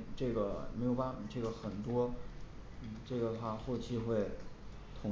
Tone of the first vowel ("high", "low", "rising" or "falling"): falling